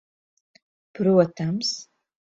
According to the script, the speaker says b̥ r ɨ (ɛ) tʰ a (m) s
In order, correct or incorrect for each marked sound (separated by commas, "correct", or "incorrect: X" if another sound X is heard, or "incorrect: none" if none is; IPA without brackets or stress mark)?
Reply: incorrect: a, correct